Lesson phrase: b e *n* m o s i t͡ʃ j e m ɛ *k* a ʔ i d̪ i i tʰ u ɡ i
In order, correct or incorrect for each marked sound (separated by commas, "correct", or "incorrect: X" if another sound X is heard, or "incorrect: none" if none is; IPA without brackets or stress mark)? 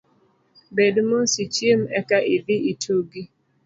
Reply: incorrect: d, correct